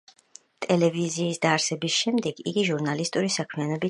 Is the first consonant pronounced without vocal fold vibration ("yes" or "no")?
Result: yes